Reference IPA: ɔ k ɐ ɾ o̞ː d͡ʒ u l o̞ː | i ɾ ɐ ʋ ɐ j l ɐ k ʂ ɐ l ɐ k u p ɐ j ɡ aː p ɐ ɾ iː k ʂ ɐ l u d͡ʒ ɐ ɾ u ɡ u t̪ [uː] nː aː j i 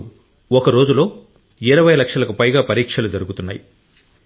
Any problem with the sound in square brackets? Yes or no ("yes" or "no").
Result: yes